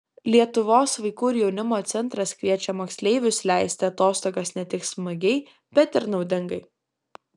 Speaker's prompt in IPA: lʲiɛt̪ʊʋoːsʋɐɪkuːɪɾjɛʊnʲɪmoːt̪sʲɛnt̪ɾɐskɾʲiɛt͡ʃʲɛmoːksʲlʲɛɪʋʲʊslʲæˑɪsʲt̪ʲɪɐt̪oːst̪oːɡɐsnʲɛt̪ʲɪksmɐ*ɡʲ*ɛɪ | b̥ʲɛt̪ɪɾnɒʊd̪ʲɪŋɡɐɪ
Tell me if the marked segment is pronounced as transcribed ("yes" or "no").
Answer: yes